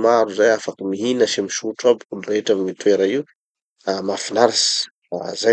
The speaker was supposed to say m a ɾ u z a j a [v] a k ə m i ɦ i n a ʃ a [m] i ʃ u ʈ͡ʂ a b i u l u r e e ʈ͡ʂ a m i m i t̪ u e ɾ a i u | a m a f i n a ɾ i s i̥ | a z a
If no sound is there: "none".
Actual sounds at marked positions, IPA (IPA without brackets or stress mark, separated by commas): f, m